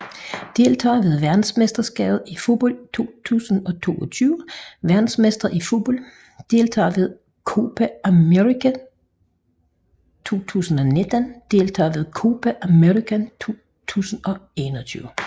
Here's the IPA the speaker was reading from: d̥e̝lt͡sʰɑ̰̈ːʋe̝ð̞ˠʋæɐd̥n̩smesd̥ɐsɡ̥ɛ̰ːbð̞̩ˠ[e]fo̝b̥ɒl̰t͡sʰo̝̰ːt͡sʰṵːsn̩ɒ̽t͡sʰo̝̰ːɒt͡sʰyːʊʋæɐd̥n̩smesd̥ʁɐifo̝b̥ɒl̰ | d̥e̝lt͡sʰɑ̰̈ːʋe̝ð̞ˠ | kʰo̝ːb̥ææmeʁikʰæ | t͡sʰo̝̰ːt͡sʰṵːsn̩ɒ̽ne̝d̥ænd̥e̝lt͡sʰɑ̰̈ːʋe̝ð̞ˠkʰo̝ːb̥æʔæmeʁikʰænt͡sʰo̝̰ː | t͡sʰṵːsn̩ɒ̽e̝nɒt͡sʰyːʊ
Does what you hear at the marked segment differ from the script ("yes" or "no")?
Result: yes